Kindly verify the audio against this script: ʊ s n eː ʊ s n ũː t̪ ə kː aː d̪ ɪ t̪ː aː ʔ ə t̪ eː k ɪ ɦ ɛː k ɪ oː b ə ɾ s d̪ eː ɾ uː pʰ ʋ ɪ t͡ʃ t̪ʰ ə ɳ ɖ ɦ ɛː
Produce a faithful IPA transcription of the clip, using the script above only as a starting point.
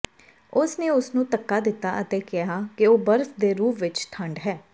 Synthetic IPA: ʊ s n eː ʊ s n ũː t̪ ə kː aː d̪ ɪ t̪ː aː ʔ ə t̪ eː k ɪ ɦ aː k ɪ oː b ə ɾ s d̪ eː ɾ uː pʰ ʋ ɪ t͡ʃ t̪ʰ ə ɳ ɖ ɦ ɛː